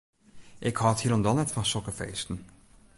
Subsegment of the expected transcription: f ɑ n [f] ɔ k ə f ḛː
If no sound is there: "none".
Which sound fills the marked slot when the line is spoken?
s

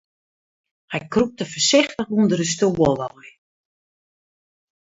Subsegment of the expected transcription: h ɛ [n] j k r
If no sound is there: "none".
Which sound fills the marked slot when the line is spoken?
none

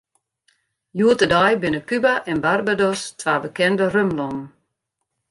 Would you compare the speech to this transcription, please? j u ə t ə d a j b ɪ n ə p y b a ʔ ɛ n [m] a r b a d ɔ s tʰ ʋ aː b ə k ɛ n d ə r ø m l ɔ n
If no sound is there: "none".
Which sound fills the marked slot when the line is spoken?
b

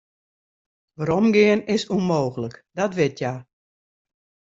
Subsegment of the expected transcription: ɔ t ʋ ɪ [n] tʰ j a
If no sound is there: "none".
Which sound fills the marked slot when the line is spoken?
none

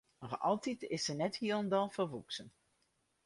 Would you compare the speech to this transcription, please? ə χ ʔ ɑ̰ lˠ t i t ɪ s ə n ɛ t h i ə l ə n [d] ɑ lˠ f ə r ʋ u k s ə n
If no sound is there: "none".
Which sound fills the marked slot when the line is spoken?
d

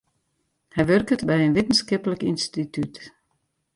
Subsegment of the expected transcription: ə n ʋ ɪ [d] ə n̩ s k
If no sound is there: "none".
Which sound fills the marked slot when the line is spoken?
t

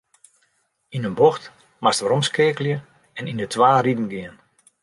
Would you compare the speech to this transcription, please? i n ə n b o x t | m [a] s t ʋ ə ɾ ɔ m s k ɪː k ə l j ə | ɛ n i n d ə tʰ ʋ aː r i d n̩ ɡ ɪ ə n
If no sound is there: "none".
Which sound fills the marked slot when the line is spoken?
a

